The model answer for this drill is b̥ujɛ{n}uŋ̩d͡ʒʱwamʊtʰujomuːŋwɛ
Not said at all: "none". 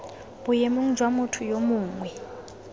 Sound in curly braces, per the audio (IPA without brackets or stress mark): m